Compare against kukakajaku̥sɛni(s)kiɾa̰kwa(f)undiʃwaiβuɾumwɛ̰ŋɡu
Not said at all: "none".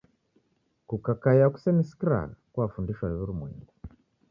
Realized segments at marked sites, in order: s, f

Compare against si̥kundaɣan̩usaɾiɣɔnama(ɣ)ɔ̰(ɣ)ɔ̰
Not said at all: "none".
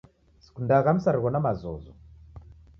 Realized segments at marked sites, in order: z, z

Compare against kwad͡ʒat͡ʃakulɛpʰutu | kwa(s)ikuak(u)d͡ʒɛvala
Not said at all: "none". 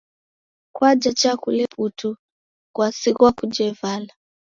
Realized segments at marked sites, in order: s, u

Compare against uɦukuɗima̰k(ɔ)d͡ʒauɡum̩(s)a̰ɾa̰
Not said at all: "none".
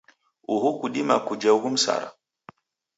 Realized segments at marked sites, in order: u, s

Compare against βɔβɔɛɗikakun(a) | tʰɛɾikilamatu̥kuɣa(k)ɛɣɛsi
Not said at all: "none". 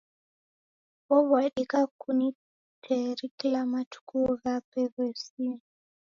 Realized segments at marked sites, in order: i, p

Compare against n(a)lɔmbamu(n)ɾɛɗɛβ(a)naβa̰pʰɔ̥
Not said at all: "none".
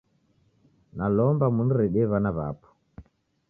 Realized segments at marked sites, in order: a, n, a

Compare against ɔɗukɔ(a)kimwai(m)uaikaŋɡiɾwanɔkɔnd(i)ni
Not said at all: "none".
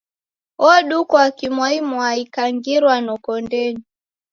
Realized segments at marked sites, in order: a, m, ɛ

